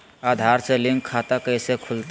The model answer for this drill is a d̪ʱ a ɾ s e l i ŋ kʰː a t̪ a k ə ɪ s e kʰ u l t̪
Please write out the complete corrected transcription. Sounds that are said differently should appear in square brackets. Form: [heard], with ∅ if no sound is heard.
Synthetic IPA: a d̪ʱ a ɾ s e l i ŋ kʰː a t̪ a k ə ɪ s e kʰ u l t̪